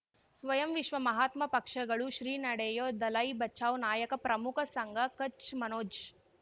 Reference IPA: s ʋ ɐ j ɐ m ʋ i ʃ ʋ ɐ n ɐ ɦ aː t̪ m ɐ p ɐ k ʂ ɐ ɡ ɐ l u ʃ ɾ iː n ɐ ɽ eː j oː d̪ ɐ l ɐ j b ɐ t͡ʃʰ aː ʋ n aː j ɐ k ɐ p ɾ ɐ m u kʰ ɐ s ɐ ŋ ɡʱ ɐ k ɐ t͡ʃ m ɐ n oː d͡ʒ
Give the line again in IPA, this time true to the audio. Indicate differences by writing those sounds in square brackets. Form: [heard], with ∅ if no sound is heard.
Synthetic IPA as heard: s ʋ ɐ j ɐ m ʋ i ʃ ʋ ɐ [m] ɐ ɦ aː t̪ m ɐ p ɐ k ʂ ɐ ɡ ɐ [ɭ] u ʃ ɾ iː n ɐ ɽ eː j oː d̪ ɐ l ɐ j b ɐ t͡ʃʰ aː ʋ n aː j ɐ k ɐ p ɾ ɐ m u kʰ ɐ s ɐ ŋ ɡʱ ɐ k ɐ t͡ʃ m ɐ n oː d͡ʒ